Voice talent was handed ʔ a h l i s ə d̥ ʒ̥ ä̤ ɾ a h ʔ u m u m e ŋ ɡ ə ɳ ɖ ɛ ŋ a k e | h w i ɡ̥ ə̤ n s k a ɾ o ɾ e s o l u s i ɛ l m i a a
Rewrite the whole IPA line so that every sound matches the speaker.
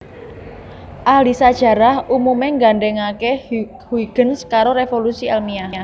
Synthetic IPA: ʔ a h l i s a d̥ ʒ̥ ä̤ ɾ a h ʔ u m u m e ŋ ɡ a ɳ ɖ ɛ ŋ a k e | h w i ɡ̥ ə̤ n s k a ɾ o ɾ e f o l u s i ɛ l m i a a